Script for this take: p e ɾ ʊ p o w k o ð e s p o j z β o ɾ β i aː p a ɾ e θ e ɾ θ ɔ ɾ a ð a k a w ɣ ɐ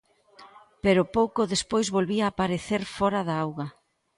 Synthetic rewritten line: p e ɾ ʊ p o w k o ð e s p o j z β o l β i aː p a ɾ e θ e ɾ f ɔ ɾ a ð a a w ɣ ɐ